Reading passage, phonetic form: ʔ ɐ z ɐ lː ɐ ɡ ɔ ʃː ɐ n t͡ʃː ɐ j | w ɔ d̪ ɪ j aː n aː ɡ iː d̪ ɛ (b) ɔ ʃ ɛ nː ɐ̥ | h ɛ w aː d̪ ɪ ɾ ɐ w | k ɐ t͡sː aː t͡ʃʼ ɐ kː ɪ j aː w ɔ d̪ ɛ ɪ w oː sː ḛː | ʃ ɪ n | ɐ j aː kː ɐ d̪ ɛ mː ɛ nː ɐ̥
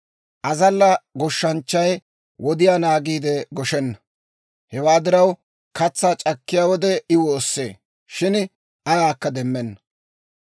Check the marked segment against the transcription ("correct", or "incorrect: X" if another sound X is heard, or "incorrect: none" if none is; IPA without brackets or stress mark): incorrect: ɡ